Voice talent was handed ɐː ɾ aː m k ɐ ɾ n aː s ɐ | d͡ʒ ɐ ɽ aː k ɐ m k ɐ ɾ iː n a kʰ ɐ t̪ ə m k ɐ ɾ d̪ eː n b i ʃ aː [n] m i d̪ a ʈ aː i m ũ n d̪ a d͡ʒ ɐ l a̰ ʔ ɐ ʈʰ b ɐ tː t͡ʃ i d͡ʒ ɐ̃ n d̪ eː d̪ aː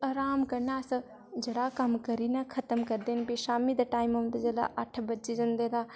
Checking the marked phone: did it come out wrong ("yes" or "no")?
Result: yes